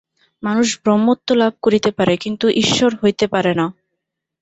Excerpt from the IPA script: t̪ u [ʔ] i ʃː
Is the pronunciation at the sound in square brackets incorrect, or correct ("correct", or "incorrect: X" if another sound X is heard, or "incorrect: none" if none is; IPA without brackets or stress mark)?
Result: correct